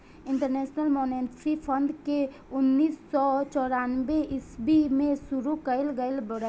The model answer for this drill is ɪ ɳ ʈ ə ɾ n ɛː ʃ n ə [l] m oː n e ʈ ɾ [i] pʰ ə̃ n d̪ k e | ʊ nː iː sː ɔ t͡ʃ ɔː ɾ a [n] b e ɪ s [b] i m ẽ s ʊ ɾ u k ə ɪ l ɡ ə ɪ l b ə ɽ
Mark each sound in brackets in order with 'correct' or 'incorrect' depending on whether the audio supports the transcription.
correct, correct, correct, correct

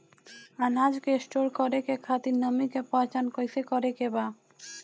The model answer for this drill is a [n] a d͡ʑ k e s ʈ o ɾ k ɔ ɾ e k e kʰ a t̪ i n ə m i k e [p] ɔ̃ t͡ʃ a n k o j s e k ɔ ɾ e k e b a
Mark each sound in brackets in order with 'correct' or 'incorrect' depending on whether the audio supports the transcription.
correct, correct

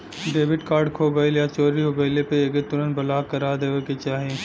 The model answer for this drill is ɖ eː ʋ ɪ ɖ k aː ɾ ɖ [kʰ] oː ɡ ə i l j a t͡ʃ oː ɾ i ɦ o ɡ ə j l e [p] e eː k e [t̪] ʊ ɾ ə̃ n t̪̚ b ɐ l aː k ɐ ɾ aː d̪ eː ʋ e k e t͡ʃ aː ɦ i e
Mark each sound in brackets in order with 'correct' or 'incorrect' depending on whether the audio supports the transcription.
correct, correct, correct

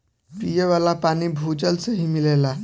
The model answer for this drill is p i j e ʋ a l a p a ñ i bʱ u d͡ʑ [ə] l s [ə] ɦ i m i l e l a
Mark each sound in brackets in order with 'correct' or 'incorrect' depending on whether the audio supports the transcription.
correct, correct

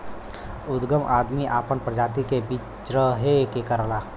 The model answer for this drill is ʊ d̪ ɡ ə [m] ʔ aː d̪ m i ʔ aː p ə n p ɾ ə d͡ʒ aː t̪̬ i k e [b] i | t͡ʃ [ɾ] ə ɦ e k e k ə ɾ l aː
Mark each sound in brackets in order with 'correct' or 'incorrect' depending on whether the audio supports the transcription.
correct, correct, correct

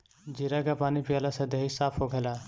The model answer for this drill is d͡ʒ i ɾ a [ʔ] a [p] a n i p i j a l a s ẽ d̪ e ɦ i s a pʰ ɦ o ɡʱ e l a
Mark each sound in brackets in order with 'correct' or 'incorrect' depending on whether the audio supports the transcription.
incorrect, correct

